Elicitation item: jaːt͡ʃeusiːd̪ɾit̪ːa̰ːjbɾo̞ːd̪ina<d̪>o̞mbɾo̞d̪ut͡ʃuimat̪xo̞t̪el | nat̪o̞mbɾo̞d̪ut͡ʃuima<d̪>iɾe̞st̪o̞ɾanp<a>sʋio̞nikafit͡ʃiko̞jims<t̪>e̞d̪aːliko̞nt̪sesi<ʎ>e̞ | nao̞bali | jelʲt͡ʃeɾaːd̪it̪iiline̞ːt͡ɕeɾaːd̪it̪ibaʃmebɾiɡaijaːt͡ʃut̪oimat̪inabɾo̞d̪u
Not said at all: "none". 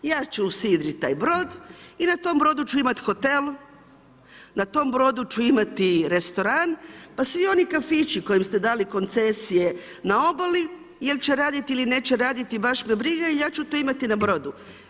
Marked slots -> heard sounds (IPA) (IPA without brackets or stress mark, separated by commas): t̪, t̪, a, t̪, j